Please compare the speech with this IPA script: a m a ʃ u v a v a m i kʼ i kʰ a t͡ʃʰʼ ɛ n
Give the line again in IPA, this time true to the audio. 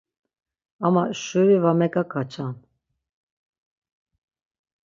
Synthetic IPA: a m a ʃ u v i v a m ɛ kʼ a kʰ a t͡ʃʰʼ a n